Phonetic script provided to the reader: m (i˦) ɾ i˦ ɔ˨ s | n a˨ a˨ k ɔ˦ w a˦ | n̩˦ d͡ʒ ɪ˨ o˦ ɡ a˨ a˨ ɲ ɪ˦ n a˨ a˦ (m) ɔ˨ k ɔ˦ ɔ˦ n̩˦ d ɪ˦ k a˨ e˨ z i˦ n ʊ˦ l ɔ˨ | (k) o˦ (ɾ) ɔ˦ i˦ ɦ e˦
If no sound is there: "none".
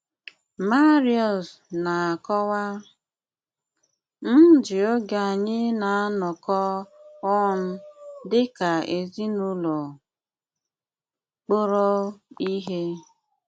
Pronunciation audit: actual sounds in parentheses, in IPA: a˦, n, k͡p, ɾ

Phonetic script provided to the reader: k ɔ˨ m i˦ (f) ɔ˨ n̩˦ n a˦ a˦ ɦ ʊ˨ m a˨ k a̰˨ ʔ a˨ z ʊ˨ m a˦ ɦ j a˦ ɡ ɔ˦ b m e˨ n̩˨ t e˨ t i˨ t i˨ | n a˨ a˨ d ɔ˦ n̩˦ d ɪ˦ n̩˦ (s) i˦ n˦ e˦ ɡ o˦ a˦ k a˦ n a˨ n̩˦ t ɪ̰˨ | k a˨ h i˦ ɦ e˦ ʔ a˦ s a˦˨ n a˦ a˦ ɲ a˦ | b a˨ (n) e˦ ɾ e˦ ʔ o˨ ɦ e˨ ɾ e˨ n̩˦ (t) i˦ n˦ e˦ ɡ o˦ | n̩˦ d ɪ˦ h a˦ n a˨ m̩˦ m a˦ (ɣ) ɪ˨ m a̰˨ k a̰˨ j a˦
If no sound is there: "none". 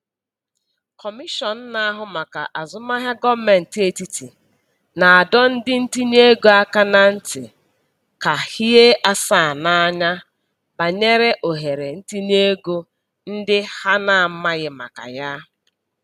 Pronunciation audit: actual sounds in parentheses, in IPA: ʃ, t, ɲ, t, ɣ

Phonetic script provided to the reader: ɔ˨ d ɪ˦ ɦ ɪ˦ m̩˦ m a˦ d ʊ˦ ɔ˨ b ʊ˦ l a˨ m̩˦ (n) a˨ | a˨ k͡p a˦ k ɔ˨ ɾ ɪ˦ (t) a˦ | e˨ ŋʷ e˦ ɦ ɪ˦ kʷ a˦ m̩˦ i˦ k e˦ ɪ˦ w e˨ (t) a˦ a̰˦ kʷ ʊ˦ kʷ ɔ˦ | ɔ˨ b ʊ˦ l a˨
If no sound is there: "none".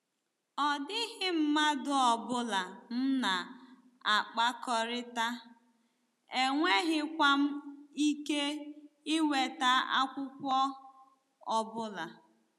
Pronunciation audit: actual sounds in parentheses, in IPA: n, t, t

